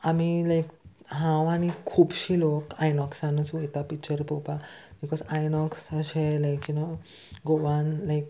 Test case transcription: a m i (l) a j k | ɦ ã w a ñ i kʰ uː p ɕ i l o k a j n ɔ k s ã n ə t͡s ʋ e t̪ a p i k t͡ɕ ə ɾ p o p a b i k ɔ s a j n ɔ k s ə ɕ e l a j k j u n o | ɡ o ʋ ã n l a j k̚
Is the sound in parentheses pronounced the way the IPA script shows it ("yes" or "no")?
yes